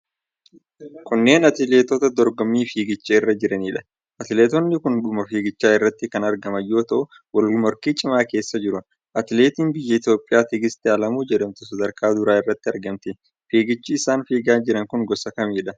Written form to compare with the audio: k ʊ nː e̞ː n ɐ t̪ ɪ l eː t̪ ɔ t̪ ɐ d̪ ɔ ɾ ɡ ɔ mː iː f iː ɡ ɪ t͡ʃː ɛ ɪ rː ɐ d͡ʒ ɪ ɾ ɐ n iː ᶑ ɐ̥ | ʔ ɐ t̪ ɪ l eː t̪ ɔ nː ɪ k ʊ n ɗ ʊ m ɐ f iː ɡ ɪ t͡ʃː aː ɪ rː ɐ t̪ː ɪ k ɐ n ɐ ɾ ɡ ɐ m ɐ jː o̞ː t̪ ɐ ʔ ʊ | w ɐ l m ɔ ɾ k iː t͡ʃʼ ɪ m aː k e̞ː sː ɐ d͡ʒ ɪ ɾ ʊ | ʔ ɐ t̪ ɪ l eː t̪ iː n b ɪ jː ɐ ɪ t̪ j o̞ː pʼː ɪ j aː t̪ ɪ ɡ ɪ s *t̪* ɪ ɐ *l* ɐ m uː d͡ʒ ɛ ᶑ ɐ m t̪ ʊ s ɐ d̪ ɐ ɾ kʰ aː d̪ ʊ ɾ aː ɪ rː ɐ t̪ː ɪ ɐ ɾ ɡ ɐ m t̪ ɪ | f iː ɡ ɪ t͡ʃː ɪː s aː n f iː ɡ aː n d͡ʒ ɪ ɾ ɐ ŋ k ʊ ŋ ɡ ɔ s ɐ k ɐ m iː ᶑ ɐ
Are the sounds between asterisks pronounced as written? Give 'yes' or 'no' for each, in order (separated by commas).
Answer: yes, yes